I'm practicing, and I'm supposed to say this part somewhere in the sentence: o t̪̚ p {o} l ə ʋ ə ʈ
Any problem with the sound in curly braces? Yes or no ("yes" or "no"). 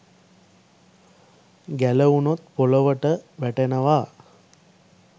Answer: no